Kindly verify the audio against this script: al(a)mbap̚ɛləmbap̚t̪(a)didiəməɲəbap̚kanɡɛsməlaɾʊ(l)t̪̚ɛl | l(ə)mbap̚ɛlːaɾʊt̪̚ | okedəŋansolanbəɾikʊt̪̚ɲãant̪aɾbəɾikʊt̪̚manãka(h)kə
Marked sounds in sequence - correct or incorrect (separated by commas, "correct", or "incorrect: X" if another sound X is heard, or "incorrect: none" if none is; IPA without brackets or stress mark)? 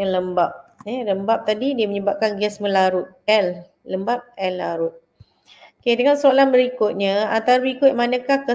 incorrect: ə, correct, incorrect: none, correct, correct